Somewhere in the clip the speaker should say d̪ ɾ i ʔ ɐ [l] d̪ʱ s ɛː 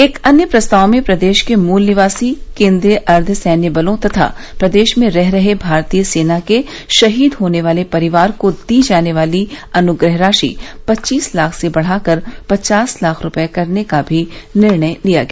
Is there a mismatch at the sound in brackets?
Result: yes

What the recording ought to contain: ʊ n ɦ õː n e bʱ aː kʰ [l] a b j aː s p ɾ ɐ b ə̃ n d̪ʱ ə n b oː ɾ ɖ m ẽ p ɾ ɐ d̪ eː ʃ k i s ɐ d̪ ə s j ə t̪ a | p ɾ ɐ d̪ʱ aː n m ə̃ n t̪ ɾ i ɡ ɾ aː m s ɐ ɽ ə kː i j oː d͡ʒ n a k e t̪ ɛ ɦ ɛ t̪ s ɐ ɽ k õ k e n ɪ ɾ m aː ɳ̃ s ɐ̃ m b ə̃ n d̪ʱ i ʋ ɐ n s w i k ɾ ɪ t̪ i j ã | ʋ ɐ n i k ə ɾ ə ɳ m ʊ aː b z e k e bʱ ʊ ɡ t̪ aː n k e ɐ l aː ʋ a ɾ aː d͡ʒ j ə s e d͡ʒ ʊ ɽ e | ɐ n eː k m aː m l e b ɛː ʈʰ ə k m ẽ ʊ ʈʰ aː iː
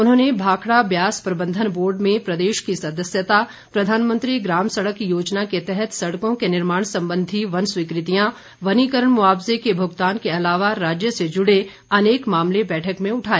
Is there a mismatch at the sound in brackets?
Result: yes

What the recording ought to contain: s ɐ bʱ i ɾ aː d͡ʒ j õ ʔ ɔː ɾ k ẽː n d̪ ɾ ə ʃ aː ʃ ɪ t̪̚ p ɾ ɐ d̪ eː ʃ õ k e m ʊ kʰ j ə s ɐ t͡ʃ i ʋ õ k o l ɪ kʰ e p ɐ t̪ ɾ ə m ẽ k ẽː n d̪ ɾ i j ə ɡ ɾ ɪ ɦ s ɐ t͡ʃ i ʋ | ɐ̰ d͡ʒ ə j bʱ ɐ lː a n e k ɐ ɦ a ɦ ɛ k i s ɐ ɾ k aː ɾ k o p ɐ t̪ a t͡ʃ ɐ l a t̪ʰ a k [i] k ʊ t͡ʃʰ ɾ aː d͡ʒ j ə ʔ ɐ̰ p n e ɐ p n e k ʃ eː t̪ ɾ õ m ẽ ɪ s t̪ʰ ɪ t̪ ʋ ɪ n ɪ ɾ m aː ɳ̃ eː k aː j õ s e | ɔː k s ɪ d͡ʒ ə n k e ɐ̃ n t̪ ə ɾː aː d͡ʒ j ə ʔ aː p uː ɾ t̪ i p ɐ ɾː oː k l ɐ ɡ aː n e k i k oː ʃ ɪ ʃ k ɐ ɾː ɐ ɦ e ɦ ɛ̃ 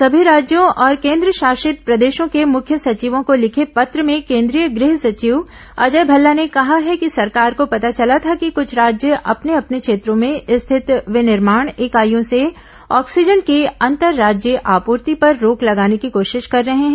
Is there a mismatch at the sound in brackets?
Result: no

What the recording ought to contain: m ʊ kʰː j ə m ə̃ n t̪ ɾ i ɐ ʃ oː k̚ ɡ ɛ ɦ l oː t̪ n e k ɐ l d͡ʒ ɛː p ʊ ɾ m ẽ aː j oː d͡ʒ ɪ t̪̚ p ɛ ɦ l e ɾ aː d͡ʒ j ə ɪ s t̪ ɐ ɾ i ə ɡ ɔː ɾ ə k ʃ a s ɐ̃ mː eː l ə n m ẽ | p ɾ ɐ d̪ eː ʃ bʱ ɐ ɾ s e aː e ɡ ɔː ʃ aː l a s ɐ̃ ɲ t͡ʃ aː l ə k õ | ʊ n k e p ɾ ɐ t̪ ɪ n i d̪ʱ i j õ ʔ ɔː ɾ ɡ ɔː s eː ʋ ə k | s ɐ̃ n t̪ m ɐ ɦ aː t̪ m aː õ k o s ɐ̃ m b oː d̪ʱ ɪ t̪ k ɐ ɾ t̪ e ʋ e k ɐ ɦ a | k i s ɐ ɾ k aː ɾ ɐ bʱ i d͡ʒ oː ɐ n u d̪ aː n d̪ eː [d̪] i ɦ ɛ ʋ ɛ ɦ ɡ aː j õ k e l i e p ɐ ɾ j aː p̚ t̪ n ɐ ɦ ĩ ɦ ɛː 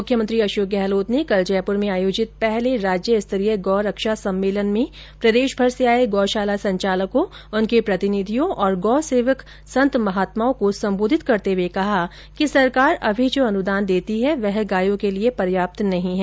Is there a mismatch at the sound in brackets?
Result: yes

